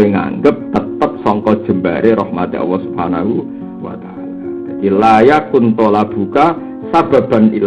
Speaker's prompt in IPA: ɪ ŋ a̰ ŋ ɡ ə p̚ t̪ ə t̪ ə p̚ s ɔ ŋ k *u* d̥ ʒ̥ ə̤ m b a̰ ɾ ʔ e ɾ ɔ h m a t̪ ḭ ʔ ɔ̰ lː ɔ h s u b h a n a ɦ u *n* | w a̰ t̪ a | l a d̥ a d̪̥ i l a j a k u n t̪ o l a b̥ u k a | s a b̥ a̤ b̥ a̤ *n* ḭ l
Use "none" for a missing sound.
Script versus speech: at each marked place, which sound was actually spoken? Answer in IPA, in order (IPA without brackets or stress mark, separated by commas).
ɔ, none, n